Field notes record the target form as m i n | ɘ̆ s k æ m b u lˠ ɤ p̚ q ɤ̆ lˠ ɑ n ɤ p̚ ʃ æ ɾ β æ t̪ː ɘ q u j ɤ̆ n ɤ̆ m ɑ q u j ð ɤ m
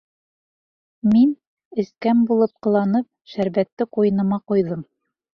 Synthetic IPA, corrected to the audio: m i n | ɘ̆ s k æ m b u lˠ ɤ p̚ q ɤ̆ lˠ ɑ n ɤ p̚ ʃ æ ɾ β æ t̪ː ɘ q u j ɤ̆ n ɤ̆ m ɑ q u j ð ɤ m